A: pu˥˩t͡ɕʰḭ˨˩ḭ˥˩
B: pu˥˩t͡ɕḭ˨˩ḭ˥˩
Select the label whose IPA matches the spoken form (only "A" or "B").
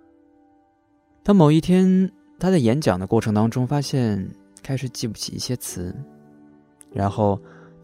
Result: A